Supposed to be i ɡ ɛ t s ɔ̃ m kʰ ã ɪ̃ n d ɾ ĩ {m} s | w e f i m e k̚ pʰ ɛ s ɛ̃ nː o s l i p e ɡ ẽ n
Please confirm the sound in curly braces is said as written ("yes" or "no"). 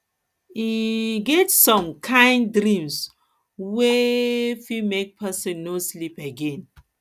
yes